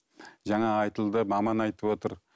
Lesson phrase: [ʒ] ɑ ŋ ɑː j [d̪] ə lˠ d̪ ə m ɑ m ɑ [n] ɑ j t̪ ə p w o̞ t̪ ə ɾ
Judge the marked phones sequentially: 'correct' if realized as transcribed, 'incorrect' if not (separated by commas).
correct, incorrect, correct